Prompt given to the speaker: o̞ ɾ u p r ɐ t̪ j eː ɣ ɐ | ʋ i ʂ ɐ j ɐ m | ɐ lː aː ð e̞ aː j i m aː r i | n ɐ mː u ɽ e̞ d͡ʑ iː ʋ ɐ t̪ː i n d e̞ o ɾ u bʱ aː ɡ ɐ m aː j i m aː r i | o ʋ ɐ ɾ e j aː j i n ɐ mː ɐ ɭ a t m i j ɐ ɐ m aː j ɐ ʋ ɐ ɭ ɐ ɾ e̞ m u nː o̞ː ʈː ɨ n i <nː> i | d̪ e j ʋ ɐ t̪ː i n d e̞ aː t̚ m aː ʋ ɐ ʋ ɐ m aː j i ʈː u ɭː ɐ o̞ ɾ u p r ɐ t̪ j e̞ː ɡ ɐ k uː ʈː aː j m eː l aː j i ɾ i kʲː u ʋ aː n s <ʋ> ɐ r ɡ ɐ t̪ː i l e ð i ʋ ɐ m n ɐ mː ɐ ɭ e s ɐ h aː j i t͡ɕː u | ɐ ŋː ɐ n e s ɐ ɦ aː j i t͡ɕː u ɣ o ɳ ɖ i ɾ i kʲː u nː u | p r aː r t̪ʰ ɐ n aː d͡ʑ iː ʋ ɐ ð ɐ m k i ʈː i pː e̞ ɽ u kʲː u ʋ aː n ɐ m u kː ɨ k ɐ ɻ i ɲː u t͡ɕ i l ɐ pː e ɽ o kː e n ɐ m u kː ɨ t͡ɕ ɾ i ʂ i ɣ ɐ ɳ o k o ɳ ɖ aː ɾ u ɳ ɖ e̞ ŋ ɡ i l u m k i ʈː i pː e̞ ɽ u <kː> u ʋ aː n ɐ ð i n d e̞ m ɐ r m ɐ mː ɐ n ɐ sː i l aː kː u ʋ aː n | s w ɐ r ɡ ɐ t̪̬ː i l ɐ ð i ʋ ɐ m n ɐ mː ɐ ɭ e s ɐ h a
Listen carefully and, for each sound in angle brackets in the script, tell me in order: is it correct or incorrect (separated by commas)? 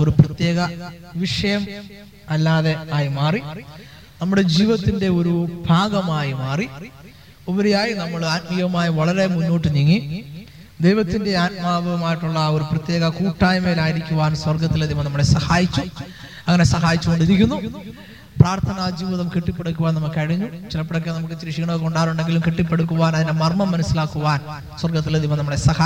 incorrect, incorrect, correct